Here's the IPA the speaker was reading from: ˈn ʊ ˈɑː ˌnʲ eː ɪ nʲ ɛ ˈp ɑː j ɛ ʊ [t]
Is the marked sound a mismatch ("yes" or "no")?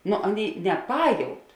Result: no